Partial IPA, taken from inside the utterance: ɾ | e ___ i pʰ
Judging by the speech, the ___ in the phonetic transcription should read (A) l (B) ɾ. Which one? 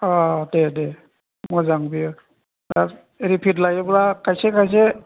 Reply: B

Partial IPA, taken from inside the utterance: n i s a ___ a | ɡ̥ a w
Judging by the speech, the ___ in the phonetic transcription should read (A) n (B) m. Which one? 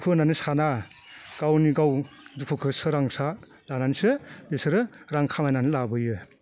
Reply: A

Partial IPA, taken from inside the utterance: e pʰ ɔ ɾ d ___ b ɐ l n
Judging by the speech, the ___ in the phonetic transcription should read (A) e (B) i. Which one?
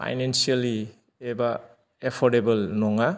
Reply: A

